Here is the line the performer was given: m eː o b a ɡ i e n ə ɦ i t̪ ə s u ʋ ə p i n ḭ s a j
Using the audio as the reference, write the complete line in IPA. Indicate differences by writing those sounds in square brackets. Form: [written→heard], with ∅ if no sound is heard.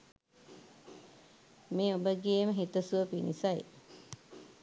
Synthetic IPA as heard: m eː o b [a→ə] ɡ i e [n→m] ə ɦ i t̪ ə s u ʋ ə p i n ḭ s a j